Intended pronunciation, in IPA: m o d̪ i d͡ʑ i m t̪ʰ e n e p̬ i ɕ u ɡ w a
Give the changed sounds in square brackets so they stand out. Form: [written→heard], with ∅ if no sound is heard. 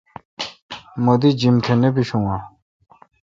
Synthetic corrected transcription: m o d̪ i d͡ʑ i m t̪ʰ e n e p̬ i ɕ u [ɡ→ŋ] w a